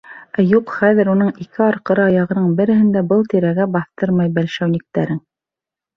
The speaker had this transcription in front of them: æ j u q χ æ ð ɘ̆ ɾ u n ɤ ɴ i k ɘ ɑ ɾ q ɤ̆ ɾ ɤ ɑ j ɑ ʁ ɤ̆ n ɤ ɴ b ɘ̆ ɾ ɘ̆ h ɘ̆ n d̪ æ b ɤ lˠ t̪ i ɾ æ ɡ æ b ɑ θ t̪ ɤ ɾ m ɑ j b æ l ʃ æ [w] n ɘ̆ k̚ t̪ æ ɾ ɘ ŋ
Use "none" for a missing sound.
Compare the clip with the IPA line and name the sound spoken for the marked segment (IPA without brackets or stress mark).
w